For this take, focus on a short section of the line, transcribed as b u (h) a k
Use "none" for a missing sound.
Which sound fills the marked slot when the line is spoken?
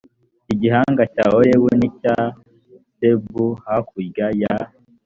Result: h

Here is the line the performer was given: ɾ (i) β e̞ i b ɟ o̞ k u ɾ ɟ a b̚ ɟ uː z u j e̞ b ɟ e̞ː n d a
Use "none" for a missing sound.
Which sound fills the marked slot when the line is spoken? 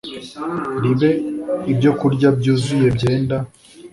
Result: i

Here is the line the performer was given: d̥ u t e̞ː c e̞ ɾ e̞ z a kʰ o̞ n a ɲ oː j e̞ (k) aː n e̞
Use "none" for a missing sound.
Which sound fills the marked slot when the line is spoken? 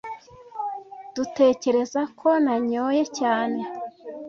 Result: c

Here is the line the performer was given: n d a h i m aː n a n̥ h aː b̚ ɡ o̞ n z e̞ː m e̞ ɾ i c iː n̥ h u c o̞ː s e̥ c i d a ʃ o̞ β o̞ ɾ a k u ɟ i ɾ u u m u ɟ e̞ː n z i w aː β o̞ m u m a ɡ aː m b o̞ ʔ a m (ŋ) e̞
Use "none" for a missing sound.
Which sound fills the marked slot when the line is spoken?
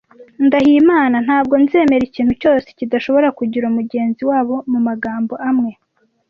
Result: ŋ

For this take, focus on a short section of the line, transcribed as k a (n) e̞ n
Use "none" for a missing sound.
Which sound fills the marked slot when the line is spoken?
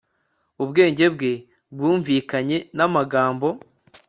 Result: ɲ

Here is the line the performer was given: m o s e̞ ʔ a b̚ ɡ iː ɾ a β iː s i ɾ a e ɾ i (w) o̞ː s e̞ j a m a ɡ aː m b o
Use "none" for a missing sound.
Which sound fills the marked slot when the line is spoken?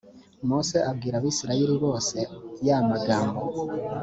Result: β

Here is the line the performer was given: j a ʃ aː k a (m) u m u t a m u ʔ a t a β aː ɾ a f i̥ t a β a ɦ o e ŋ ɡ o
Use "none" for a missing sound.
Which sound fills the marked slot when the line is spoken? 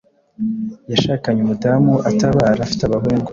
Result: ɲ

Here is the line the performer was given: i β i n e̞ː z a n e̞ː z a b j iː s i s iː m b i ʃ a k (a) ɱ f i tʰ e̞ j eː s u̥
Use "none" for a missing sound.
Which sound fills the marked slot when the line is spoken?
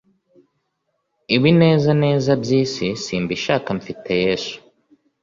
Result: a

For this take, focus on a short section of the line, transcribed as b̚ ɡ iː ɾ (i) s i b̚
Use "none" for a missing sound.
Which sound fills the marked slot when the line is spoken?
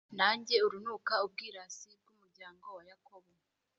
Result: a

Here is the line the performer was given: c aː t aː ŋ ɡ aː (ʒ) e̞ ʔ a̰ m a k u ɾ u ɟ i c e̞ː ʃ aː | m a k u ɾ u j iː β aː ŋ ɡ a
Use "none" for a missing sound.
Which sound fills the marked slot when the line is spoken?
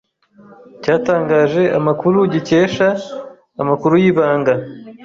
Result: ʒ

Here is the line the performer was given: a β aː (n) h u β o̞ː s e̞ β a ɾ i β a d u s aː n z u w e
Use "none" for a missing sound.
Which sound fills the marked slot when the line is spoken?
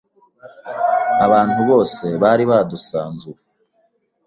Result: n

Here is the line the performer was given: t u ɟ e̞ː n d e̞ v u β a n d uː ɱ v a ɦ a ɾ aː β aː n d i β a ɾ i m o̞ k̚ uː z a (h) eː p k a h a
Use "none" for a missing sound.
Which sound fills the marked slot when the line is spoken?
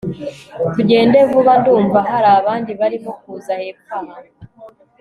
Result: h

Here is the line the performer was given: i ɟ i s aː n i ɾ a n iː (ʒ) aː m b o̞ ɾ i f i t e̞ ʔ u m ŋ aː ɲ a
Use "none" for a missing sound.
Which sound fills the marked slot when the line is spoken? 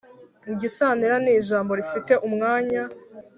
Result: ʒ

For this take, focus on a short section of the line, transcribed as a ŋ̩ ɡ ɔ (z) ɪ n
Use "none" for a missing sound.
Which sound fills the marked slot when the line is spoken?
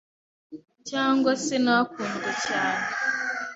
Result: s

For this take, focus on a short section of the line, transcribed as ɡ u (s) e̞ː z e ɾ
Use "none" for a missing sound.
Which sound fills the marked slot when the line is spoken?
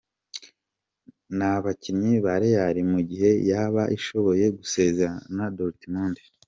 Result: s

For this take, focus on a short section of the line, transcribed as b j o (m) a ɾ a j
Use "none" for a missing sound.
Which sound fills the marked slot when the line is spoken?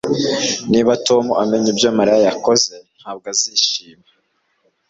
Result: m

